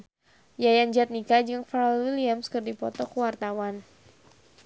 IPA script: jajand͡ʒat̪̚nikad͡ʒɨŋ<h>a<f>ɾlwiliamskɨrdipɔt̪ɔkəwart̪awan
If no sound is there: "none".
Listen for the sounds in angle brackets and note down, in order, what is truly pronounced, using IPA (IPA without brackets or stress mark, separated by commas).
f, none